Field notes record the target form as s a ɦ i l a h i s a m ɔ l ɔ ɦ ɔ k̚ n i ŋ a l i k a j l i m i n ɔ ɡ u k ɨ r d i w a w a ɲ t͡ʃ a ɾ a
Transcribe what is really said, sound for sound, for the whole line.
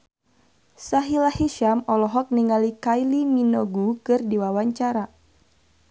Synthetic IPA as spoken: s a ɦ i l a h i ʃ a m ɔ l ɔ ɦ ɔ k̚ n i ŋ a l i k a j l i m i n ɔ ɡ u k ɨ r d i w a w a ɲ t͡ʃ a ɾ a